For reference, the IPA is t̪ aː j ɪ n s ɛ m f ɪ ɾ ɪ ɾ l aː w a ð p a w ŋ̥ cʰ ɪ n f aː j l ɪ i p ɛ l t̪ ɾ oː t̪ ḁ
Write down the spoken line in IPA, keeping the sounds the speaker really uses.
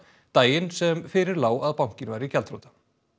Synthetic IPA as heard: t̪ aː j ɪ n s ɛ m f ɪ ɾ ɪ ɾ l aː w a ð p a w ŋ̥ c ɪ n v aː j ɾ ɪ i c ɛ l t̪ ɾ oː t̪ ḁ